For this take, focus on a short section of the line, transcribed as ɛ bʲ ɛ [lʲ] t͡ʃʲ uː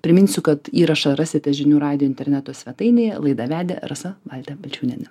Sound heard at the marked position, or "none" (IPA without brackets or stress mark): lʲ